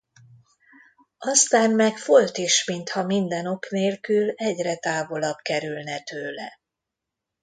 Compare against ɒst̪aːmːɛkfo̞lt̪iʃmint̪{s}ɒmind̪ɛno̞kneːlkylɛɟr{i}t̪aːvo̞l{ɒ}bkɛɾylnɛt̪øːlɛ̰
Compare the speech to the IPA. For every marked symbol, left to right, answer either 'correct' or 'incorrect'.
incorrect: h, incorrect: ɛ, correct

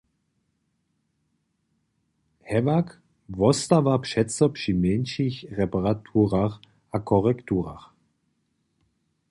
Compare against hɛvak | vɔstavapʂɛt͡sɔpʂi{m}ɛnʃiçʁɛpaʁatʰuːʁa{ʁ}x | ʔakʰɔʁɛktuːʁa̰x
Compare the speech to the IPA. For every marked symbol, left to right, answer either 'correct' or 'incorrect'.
correct, incorrect: none

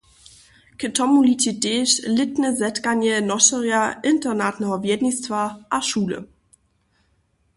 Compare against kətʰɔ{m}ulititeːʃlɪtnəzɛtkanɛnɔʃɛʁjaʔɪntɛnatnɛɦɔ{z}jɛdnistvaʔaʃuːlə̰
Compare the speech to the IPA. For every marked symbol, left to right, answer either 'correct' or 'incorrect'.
correct, incorrect: v

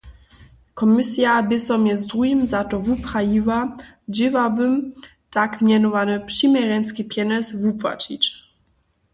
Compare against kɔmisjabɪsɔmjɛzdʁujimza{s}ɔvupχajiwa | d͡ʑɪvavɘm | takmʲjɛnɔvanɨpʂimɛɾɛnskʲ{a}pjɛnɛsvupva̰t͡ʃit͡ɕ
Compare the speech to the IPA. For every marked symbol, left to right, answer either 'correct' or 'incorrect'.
incorrect: t, incorrect: i

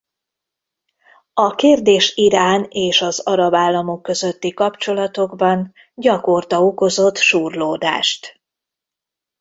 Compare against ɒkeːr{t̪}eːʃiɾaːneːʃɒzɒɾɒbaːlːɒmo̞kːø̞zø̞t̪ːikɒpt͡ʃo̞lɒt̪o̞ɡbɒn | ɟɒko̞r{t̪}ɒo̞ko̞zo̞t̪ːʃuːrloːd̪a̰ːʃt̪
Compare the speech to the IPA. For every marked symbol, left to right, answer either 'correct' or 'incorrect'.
incorrect: d̪, correct

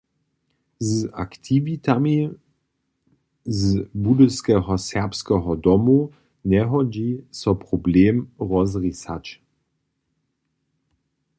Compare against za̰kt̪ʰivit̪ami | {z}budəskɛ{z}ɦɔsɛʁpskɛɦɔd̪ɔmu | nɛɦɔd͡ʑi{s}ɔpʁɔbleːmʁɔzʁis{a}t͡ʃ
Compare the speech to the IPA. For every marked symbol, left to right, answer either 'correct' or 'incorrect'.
correct, incorrect: none, correct, correct

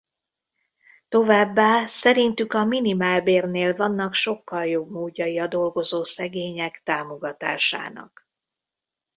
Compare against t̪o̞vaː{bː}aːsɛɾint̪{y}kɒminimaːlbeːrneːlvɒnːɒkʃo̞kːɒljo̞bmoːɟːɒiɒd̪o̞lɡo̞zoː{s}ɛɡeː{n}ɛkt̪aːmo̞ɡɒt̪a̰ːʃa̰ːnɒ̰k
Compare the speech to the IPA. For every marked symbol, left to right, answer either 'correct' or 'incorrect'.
correct, correct, correct, incorrect: ɲ

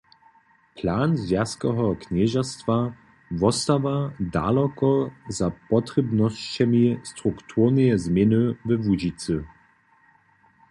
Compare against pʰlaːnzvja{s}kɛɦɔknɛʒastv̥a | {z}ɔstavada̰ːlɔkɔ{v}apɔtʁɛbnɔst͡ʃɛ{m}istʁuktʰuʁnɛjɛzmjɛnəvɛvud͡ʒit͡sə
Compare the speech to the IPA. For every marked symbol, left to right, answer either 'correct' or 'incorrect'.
correct, incorrect: v, incorrect: z, correct

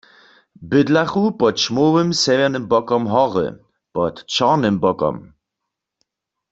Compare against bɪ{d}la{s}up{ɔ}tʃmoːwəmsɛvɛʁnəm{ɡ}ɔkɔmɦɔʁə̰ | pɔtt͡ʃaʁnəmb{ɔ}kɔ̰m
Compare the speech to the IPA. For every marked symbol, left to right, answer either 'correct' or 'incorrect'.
correct, incorrect: χ, correct, incorrect: b, correct

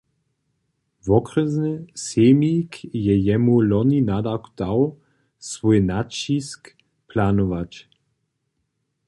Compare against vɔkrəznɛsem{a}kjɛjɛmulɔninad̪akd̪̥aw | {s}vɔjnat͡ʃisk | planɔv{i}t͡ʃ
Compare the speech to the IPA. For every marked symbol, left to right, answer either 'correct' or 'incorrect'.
incorrect: i, correct, incorrect: a

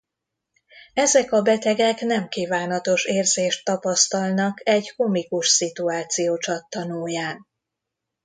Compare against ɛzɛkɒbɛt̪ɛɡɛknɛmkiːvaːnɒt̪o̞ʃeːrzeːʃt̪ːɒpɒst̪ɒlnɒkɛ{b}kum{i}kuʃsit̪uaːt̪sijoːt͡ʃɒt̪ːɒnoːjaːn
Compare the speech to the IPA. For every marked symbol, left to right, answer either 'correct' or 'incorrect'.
incorrect: ɟ, correct

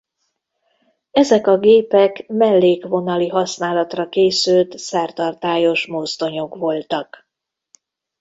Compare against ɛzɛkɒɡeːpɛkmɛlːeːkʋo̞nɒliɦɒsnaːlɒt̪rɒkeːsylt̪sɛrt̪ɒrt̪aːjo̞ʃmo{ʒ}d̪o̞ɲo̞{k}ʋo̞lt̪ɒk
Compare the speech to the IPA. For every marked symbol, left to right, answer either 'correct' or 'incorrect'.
incorrect: z, correct

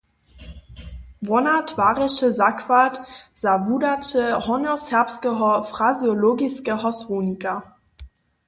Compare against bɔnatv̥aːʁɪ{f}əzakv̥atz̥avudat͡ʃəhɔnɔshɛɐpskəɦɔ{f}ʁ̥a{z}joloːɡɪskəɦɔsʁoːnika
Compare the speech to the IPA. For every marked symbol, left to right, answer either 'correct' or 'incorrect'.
incorrect: ʃ, correct, correct

